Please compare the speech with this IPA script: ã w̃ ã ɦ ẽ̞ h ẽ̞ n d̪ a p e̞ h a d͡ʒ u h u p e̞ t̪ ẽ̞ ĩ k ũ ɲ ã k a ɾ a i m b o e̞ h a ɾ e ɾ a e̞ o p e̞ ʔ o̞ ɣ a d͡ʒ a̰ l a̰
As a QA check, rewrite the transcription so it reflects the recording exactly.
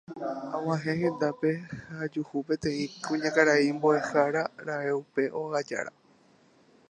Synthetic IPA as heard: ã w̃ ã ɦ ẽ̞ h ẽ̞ n d̪ a p e̞ h a d͡ʒ u h u p e̞ t̪ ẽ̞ ĩ k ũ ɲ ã k a ɾ a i m b o e̞ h a ɾ a ɾ a e̞ u p e̞ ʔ o̞ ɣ a d͡ʒ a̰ ɾ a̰